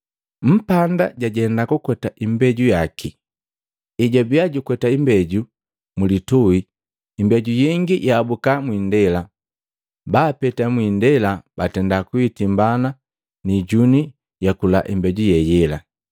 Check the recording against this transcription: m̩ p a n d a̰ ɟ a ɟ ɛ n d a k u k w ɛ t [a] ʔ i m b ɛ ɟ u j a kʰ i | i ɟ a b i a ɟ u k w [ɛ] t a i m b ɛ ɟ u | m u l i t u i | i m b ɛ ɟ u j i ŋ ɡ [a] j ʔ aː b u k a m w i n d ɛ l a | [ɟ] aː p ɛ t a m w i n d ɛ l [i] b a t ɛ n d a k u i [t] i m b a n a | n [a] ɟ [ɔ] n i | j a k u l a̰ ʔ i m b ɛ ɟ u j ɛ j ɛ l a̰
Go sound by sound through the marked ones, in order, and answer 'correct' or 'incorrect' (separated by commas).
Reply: correct, correct, incorrect, incorrect, incorrect, correct, incorrect, incorrect